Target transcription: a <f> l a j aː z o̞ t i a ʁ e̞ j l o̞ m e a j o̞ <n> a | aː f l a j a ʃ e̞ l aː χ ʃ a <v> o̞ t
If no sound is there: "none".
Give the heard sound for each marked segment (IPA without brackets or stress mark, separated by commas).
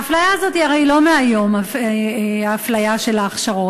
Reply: f, m, ʁ